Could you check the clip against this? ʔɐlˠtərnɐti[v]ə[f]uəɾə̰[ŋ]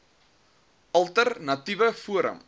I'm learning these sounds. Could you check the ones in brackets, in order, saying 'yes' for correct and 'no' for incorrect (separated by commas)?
yes, yes, no